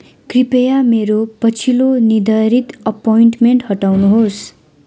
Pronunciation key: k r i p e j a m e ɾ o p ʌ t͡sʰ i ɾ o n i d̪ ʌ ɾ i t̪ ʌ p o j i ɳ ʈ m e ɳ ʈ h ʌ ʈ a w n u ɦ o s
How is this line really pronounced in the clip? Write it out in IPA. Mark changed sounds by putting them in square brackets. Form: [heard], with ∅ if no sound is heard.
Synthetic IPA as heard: k r i p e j a m e ɾ o p ʌ t͡sʰ i [l] o n i d̪ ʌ ɾ i t̪ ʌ p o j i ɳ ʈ m e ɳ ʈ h ʌ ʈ a w n u ɦ o s